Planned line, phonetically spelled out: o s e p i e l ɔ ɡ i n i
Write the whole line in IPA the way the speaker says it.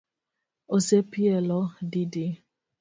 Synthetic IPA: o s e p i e l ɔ d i d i